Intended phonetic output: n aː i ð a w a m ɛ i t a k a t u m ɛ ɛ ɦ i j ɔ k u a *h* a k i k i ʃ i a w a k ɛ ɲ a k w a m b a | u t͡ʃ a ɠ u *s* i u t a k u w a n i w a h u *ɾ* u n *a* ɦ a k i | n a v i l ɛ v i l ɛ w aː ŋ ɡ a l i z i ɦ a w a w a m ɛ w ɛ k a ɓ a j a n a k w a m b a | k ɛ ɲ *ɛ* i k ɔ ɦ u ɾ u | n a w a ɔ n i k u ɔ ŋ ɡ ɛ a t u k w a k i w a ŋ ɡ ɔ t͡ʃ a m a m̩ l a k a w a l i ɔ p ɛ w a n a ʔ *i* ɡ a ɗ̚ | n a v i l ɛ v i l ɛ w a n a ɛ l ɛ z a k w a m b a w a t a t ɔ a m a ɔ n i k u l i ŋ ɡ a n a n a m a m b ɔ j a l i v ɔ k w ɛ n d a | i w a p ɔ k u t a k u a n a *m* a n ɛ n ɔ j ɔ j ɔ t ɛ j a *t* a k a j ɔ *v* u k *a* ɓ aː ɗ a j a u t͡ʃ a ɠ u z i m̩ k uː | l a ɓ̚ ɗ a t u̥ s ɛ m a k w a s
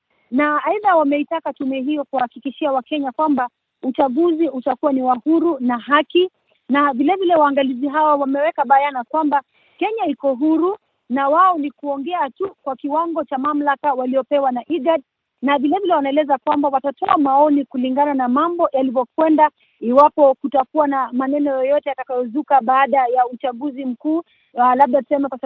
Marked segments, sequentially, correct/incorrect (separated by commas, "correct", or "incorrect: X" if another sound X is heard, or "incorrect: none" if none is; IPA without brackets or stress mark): correct, incorrect: z, correct, correct, incorrect: a, correct, correct, correct, incorrect: z, correct